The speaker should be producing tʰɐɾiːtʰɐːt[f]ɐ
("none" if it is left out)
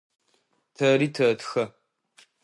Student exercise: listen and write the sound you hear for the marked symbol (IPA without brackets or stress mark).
x